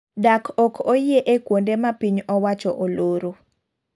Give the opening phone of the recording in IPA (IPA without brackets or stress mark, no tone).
d